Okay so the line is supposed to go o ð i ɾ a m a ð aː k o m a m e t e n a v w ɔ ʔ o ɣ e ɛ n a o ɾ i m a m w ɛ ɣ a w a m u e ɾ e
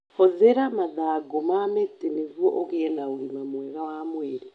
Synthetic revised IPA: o ð e ɾ a m a ð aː ɡ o m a m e t e n e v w ɔ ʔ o ɣ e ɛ n a o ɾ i m a m w ɛ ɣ a w a m w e ɾ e